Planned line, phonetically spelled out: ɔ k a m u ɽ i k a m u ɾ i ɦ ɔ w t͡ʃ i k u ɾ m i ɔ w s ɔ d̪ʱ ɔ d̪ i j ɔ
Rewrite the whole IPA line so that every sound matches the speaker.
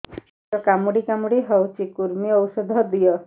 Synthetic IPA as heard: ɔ k a m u ɽ i k a m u ɽ i ɦ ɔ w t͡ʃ i k u ɾ m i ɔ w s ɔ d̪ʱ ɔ d̪ i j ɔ